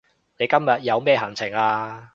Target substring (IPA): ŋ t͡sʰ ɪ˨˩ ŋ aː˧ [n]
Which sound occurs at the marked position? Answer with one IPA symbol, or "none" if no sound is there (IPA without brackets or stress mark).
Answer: none